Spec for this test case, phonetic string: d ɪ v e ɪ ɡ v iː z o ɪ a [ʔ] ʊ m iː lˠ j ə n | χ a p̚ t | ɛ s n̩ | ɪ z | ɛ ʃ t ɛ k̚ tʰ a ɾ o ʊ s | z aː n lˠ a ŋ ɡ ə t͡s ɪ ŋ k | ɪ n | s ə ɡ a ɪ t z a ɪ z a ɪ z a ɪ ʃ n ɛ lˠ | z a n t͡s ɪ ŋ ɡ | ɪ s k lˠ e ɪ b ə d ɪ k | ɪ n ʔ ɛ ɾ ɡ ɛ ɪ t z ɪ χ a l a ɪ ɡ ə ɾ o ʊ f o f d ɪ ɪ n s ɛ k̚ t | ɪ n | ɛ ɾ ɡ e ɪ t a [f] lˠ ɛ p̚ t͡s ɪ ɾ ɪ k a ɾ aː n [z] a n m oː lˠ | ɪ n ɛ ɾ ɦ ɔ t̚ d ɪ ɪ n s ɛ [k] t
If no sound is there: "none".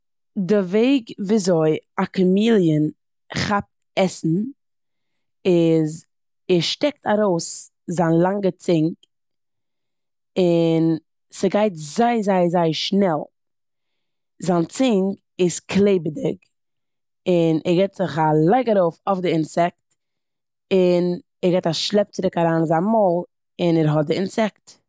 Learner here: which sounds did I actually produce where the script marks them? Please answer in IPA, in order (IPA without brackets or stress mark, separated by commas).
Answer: k, ʃ, z, k